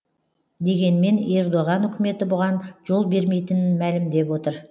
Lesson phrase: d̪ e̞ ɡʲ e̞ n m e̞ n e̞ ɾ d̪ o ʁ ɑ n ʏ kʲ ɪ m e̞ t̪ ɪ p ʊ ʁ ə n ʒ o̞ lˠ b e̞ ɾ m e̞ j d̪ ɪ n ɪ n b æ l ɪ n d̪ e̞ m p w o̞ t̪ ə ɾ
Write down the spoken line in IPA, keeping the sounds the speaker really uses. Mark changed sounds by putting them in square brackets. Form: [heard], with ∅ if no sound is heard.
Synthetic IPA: d̪ e̞ ɡʲ e̞ n m e̞ n e̞ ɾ d̪ o ʁ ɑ n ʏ kʲ ɪ m e̞ t̪ ɪ [b] ʊ ʁ [ɑ] n ʒ o̞ lˠ b e̞ ɾ m e̞ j [t̪] ɪ n ɪ n [m] æ l ɪ [m] d̪ e̞ [∅] p w o̞ t̪ ə ɾ